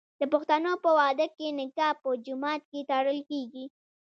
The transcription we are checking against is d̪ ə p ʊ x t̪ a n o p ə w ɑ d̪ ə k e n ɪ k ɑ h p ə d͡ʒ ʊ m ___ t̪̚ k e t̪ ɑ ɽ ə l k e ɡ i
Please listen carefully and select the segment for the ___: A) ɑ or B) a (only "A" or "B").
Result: A